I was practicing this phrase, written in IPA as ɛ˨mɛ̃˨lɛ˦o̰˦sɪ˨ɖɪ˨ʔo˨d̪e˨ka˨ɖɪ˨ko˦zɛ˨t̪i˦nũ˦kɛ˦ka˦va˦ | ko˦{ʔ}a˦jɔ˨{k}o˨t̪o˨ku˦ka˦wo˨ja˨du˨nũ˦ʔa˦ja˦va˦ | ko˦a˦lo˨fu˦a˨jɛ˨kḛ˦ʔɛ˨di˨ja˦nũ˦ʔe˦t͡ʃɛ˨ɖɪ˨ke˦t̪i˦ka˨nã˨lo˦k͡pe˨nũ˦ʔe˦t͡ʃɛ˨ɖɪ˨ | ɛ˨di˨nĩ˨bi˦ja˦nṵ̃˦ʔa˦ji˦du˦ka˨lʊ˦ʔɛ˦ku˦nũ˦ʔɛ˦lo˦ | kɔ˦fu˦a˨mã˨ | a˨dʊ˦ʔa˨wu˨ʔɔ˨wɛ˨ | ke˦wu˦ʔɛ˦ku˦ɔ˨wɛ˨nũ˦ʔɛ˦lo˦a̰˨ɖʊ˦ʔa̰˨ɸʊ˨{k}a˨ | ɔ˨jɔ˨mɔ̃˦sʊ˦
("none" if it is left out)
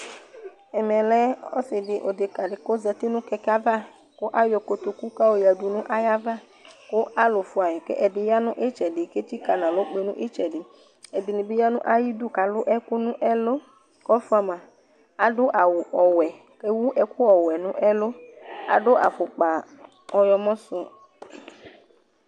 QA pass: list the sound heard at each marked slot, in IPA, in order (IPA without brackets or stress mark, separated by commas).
ʔ, k, k͡p